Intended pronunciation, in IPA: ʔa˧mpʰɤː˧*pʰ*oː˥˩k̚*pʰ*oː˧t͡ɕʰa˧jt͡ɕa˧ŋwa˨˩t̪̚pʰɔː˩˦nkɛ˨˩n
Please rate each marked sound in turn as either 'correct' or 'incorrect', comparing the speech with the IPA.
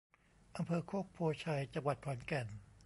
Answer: incorrect: kʰ, correct

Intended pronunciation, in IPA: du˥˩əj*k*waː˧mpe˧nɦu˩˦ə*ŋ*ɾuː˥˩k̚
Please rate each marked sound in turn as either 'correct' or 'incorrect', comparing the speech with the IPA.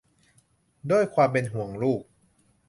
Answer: incorrect: kʰ, correct

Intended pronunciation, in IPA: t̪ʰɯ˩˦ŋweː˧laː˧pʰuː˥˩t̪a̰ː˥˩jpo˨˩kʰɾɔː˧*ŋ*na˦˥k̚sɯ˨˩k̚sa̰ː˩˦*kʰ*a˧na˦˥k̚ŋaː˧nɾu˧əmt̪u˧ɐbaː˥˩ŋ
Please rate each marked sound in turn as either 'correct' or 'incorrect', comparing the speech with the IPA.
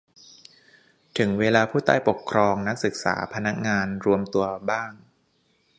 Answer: correct, incorrect: pʰ

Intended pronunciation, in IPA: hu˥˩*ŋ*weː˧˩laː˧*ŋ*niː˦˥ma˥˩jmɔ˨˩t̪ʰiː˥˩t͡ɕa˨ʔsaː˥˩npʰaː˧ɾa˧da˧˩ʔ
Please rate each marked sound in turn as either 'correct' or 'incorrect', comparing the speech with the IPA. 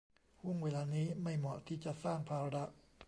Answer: correct, incorrect: none

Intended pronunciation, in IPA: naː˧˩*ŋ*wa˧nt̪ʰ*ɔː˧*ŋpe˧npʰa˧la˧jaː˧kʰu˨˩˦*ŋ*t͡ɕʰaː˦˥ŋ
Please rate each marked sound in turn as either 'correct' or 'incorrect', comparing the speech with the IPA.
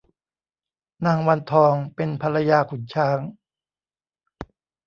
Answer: correct, correct, incorrect: n

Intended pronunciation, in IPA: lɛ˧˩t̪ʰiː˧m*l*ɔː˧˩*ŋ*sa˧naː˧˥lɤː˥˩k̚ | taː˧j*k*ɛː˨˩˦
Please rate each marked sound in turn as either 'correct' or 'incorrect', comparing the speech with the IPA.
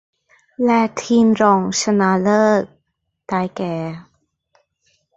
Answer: incorrect: ɾ, correct, correct

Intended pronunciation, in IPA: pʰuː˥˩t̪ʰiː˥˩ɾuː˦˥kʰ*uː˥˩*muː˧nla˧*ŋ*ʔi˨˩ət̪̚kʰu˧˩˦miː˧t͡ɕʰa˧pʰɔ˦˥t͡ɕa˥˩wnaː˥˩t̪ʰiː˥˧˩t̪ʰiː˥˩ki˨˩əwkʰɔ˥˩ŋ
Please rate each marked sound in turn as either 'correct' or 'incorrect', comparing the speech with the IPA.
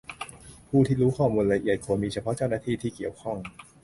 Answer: incorrect: ɔː˥˩, incorrect: none

